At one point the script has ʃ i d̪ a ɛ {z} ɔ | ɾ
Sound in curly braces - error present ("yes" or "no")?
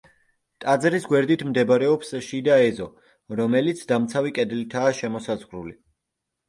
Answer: no